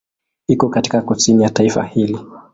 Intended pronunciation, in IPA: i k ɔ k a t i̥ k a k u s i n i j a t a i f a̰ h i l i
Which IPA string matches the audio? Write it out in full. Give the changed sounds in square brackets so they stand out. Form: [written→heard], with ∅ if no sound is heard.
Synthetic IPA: i k ɔ k a t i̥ k a k u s i n i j a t a i f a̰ h i l i